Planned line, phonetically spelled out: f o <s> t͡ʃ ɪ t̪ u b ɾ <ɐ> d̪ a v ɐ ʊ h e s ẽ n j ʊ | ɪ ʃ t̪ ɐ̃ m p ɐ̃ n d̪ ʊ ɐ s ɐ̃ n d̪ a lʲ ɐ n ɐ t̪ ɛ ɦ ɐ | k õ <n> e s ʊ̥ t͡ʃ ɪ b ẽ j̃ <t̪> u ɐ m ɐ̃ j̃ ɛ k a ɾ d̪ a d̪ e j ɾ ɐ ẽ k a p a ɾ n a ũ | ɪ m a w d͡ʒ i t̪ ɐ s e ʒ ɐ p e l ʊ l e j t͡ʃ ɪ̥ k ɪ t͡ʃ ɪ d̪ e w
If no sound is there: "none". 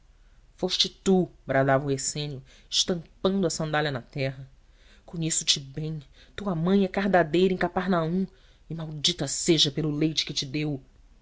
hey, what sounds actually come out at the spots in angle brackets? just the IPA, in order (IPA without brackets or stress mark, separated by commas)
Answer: ʃ, a, ɲ, t̪